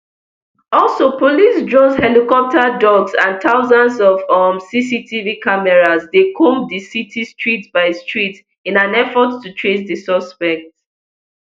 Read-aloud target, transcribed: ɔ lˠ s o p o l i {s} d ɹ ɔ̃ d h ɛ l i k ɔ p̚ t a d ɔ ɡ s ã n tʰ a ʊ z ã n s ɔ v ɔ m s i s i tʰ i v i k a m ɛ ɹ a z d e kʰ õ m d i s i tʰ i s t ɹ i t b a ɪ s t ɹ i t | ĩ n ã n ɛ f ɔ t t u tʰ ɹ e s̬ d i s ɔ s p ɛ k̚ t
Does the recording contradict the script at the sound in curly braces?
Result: no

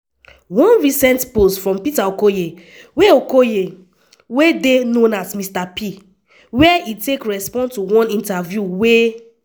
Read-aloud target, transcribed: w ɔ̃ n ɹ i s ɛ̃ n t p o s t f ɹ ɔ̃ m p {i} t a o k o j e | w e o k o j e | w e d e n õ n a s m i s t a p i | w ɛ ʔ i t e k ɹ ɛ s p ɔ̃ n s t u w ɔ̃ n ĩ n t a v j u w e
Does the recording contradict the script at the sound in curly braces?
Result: no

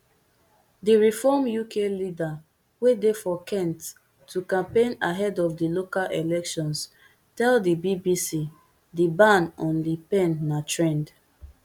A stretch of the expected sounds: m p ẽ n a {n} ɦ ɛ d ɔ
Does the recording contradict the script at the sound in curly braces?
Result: yes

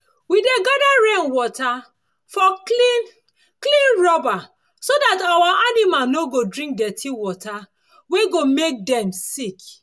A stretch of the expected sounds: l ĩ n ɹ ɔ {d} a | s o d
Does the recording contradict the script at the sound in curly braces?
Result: yes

